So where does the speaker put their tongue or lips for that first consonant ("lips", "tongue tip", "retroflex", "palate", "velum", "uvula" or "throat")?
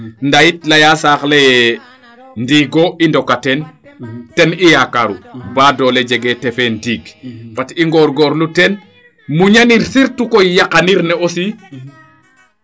tongue tip